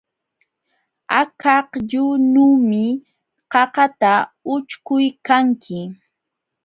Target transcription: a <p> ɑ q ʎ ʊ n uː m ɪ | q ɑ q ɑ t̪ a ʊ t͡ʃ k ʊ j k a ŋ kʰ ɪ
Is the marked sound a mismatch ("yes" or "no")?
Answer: yes